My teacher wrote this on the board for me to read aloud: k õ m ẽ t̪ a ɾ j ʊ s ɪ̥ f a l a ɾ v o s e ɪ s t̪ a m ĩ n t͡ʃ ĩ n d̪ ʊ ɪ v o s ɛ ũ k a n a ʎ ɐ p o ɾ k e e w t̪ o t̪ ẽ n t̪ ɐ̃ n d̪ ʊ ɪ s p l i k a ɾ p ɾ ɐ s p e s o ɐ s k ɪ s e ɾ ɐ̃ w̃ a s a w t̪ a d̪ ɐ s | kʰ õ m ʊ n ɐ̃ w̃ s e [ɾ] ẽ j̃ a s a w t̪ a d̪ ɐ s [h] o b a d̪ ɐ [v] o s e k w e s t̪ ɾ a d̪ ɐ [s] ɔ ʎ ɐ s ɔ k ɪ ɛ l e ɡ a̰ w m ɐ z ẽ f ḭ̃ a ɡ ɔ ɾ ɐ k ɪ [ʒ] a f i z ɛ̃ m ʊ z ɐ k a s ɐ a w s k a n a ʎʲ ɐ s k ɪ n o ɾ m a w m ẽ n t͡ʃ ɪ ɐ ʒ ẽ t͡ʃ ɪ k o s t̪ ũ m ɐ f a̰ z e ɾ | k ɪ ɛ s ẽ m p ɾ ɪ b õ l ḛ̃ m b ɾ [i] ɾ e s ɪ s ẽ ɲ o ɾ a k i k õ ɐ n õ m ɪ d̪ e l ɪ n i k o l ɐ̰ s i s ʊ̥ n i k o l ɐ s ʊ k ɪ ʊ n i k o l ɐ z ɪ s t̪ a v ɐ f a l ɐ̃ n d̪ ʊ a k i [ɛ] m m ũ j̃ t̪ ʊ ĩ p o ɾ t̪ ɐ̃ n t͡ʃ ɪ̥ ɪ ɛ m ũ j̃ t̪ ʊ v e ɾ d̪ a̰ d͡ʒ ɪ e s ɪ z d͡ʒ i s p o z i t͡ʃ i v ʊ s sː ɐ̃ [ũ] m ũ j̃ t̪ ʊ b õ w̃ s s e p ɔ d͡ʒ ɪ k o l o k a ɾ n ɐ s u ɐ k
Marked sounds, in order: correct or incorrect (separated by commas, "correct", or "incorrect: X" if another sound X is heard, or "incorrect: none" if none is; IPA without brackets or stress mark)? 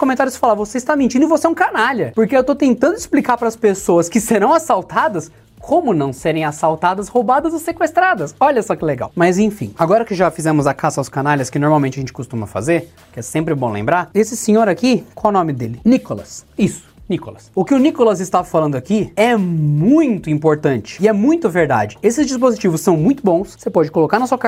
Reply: correct, correct, incorrect: z, correct, correct, incorrect: a, correct, incorrect: w̃